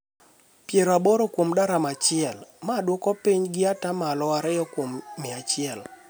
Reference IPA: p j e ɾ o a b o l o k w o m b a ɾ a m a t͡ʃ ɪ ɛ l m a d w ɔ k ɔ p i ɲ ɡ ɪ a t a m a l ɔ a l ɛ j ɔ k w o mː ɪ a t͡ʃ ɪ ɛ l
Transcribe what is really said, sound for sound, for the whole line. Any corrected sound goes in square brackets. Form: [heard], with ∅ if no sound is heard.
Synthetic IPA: p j e ɾ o a b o [ɾ] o k w o m [d] a ɾ a m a t͡ʃ ɪ ɛ l m a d w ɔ k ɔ p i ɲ ɡ ɪ a t a m a l ɔ a [ɾ] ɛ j ɔ k w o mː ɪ a t͡ʃ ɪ ɛ l